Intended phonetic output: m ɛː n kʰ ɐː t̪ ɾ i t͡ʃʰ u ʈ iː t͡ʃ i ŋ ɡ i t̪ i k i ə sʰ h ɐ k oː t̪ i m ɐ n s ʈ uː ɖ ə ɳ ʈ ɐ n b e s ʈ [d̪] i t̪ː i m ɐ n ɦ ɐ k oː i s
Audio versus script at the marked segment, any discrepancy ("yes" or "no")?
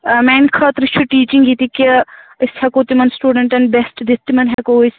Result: no